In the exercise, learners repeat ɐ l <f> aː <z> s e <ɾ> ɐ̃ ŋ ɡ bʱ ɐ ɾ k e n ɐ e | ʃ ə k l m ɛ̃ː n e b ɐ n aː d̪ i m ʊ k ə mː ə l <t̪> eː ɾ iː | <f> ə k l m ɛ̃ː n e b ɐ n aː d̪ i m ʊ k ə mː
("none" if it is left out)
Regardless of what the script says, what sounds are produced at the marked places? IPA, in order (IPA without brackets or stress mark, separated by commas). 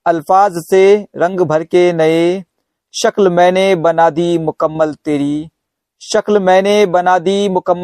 f, z, ɾ, t̪, ʃ